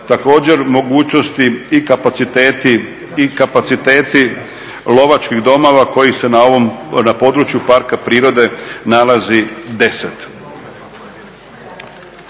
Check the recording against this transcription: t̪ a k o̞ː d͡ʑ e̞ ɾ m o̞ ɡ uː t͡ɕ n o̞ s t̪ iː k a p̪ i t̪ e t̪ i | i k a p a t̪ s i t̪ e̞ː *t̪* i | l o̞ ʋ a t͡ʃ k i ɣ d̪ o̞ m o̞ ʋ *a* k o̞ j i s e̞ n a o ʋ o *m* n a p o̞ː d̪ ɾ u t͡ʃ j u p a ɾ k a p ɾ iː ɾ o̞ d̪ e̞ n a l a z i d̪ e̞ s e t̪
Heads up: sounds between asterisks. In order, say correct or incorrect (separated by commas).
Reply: correct, correct, correct